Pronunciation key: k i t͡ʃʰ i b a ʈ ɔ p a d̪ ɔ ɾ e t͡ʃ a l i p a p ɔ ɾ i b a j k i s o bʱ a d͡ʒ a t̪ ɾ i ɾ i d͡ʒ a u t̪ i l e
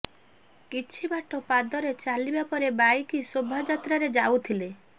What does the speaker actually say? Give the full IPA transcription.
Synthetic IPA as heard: k i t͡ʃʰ i b a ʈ ɔ p a d̪ ɔ ɾ e t͡ʃ a l i b a p ɔ ɾ e b a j k i s o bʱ a d͡ʒ a t̪ ɾ a ɾ e d͡ʒ a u t̪ʰ i l e